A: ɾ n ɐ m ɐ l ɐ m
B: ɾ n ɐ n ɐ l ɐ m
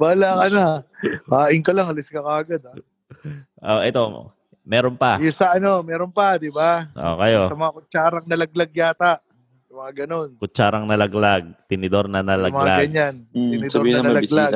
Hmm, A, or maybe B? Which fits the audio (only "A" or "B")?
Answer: B